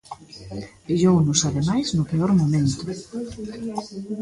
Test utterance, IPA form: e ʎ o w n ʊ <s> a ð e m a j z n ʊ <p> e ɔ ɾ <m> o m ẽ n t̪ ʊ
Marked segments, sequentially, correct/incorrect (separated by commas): correct, correct, correct